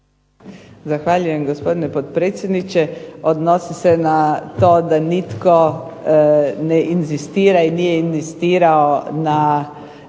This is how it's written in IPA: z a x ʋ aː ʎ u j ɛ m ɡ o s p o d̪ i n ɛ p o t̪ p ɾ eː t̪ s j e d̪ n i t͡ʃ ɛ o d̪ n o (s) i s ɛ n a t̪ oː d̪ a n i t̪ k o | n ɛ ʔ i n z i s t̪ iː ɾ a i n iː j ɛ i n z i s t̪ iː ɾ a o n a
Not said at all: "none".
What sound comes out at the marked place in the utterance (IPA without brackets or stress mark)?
s